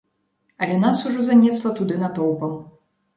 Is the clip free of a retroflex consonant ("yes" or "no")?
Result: no